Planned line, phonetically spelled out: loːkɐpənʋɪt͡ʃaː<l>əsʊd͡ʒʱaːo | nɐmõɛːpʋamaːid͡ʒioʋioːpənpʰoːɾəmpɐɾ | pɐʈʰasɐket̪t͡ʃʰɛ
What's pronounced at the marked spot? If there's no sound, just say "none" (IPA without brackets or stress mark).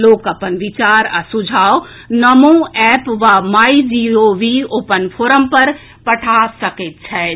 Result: ɾ